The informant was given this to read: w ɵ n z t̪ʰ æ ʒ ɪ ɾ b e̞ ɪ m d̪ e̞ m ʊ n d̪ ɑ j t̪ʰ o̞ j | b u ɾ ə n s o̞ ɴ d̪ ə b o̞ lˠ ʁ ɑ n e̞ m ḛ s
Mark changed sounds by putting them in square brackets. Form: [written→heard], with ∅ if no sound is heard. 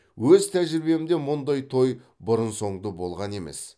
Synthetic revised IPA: w ɵ [n→∅] z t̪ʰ æ ʒ ɪ ɾ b e̞ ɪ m d̪ e̞ m ʊ n d̪ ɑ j t̪ʰ o̞ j | b [u→ʊ] ɾ ə n s o̞ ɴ d̪ ə b o̞ lˠ ʁ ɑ n e̞ m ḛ s